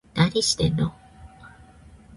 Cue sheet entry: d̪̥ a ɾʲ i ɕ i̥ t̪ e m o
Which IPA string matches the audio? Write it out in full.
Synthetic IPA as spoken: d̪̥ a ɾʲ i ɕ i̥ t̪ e n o